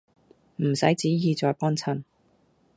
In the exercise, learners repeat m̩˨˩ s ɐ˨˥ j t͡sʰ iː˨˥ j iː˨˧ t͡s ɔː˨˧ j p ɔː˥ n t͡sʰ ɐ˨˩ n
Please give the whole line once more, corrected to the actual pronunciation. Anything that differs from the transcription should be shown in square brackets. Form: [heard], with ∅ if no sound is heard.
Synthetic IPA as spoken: m̩˨˩ s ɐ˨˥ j [t͡s] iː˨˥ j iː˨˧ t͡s ɔː˨˧ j p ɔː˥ n t͡sʰ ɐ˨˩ n